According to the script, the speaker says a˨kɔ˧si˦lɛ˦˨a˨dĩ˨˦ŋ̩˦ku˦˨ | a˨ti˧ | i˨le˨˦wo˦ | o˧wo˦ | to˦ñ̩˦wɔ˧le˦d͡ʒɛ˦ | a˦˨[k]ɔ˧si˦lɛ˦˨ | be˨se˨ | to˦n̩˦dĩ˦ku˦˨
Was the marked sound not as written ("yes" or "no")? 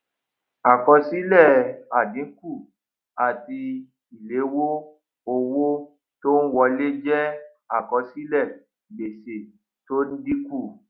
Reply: no